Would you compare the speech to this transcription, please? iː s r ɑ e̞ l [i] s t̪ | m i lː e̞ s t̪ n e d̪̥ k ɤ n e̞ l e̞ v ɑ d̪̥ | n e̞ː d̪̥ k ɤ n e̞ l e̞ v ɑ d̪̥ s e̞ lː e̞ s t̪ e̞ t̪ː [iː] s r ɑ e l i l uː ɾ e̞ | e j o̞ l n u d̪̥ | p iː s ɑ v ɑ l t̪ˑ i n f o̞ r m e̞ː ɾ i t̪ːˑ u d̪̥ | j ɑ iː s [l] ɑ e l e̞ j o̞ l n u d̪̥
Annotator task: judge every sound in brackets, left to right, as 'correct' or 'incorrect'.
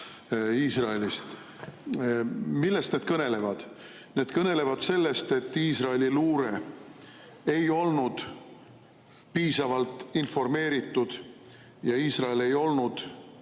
correct, correct, incorrect

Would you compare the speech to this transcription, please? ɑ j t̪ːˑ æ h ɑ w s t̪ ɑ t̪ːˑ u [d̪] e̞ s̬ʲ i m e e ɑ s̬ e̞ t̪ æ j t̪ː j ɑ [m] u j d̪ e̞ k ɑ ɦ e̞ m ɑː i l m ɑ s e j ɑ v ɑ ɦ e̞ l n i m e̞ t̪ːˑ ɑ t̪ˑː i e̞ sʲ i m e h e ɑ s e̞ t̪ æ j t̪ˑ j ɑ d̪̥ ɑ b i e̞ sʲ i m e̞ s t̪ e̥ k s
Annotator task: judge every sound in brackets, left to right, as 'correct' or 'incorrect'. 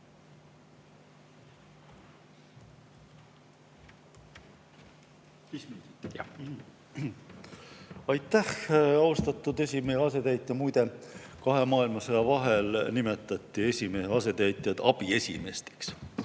correct, correct

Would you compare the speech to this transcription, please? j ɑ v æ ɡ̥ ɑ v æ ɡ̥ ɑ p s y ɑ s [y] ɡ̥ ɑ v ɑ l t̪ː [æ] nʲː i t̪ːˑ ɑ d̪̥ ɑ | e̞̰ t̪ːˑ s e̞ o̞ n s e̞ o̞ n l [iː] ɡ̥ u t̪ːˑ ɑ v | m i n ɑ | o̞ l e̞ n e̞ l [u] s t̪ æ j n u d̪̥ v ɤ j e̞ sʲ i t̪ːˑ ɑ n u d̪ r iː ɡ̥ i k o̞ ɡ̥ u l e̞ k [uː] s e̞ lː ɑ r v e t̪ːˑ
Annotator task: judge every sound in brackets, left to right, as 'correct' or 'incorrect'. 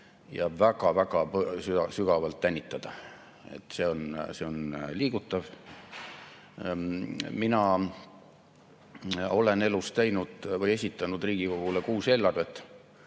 correct, correct, correct, correct, correct

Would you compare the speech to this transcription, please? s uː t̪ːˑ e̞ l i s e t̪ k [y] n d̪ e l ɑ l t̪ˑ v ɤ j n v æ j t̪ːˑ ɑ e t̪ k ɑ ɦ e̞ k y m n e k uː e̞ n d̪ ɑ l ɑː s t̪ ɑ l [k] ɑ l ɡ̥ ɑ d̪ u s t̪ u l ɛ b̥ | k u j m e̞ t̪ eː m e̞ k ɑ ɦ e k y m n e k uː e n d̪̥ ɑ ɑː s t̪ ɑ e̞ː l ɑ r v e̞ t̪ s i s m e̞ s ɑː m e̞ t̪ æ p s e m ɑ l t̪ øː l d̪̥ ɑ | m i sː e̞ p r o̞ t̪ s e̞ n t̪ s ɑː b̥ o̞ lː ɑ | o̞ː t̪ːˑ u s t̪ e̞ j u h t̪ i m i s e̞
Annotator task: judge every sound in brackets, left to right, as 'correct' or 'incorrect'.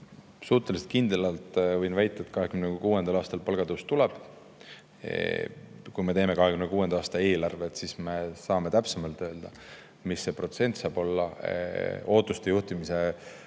incorrect, incorrect

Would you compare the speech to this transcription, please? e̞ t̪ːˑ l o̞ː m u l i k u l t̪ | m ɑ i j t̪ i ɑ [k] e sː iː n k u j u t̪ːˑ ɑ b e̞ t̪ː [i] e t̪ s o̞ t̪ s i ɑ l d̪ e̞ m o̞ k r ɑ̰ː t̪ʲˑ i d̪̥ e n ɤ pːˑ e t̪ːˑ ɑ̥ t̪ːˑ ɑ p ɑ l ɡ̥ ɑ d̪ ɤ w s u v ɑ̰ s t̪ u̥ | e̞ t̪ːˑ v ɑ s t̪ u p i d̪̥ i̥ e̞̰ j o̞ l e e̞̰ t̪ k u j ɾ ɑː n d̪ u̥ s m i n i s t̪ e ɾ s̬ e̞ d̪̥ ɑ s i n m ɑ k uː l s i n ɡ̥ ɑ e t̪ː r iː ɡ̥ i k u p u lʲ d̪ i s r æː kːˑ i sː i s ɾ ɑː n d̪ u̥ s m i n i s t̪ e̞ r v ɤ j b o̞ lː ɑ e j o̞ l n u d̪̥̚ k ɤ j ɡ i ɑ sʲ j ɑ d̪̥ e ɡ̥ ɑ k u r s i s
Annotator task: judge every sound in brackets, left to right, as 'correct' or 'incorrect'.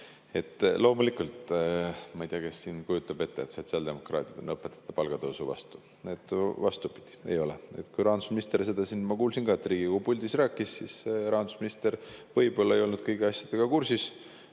correct, incorrect

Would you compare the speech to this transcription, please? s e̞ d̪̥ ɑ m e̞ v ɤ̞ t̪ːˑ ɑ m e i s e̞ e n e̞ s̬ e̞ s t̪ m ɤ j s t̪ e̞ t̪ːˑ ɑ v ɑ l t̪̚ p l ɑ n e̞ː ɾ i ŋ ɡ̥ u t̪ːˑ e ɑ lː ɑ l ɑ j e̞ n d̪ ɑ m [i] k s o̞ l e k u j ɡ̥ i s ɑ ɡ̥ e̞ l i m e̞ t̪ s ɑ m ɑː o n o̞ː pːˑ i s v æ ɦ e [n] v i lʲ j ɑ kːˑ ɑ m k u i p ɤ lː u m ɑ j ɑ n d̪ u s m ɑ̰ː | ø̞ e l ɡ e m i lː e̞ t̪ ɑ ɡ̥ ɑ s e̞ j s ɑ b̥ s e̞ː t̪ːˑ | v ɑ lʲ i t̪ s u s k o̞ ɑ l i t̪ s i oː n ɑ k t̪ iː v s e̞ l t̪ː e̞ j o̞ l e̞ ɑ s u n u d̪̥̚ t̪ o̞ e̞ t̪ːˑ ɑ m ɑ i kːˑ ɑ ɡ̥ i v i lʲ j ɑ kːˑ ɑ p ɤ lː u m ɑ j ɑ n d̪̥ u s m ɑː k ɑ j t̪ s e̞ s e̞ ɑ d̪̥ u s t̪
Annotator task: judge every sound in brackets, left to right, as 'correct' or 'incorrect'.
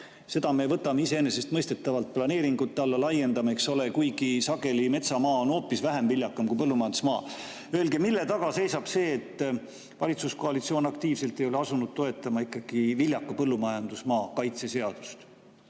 incorrect, incorrect

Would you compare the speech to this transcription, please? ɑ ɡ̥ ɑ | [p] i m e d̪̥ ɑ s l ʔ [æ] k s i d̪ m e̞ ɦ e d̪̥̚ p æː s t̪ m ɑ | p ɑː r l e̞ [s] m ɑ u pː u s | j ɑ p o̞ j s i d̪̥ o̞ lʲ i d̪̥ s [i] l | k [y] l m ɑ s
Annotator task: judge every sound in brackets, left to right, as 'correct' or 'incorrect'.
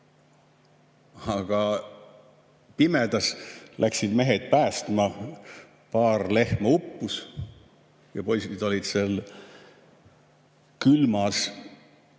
correct, correct, incorrect, incorrect, correct

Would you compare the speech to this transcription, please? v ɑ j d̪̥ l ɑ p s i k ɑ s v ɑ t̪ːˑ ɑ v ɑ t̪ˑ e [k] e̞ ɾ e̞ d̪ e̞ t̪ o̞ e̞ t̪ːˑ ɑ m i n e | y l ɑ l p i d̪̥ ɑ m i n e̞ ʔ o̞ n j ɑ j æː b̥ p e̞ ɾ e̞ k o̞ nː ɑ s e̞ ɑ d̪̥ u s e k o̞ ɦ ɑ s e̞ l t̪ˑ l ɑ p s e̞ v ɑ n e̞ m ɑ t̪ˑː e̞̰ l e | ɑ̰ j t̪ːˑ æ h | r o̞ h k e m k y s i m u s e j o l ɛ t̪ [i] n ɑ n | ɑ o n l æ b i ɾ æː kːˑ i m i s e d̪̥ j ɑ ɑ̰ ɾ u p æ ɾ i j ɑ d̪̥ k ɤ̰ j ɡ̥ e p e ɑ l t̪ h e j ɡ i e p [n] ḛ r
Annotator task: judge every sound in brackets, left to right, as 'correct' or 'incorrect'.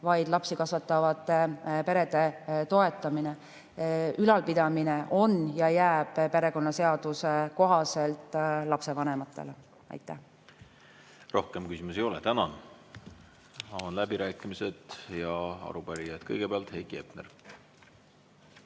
incorrect, incorrect, correct

